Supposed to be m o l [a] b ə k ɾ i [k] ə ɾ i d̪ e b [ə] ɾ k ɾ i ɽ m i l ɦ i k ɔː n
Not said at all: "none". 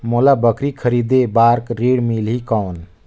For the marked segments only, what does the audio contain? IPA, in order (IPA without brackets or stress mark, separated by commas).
a, kʰ, a